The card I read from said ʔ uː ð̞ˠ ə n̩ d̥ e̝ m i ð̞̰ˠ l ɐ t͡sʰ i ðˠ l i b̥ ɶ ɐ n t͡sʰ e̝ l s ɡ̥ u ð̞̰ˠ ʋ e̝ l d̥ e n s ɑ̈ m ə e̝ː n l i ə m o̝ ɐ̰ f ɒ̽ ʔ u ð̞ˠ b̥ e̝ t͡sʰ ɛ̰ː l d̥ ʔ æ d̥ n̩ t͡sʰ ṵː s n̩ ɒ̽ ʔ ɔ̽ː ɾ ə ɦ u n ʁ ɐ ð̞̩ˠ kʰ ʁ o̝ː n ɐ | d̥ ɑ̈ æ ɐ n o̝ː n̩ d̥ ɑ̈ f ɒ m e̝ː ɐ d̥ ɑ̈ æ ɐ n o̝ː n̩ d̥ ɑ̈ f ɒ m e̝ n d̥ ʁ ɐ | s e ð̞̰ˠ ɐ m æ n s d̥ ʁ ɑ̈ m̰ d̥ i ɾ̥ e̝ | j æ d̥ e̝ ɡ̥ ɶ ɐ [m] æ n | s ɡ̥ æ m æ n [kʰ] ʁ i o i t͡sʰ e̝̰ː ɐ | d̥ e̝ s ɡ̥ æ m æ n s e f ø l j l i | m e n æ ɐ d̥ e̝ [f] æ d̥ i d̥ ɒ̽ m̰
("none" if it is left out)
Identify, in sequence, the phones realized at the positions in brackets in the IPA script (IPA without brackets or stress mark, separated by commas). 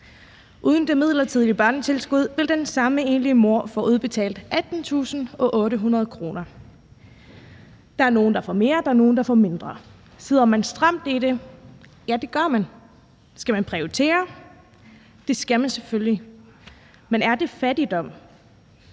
m, pʰ, f